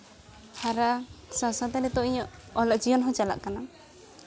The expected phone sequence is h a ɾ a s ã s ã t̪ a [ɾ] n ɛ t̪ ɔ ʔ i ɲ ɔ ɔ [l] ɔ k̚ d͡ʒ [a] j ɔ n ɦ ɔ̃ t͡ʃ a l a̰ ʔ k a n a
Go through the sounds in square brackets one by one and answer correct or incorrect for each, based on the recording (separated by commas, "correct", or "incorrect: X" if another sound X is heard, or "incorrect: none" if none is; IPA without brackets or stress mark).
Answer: incorrect: none, correct, incorrect: i